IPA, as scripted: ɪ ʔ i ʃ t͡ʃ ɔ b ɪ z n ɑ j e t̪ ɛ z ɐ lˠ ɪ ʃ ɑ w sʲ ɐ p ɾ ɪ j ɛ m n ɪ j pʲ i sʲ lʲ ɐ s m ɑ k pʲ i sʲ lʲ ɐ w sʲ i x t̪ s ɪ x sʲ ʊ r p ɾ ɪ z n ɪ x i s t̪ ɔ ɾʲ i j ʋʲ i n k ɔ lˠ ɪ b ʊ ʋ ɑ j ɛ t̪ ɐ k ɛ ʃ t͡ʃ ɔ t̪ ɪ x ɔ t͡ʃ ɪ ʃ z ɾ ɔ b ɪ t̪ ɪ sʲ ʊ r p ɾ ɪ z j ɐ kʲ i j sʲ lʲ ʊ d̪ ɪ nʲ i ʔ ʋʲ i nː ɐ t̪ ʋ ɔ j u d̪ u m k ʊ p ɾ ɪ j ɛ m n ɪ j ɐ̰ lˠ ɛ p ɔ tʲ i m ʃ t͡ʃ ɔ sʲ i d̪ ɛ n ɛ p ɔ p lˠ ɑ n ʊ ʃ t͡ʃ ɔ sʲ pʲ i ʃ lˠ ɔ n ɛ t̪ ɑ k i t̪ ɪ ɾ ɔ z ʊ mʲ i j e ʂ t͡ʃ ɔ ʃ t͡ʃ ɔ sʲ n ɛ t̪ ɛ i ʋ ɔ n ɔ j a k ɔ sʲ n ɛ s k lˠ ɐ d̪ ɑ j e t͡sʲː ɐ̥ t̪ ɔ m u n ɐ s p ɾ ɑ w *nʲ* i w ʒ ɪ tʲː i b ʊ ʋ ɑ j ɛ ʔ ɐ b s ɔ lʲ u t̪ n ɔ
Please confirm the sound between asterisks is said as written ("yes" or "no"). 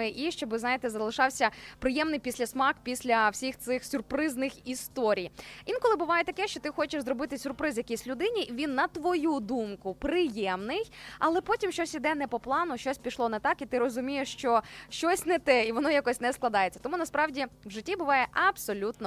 no